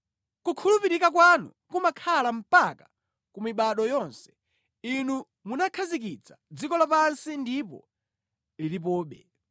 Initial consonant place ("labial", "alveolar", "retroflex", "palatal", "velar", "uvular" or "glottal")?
velar